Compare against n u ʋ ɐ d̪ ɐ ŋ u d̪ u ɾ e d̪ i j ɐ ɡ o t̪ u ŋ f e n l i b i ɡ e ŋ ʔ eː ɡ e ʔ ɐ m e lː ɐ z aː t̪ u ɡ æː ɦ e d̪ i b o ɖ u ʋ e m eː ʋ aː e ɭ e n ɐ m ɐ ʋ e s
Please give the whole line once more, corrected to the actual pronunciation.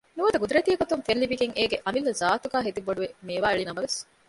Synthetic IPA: n u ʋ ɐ d̪ ɐ ɡ u d̪ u ɾ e t̪ i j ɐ ɡ o t̪ u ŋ f e n l i b i ɡ e ŋ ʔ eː ɡ e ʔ ɐ m i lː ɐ z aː t̪ u ɡ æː ɦ e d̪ i b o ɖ u ʋ e m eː ʋ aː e ɭ i n ɐ m ɐ ʋ e s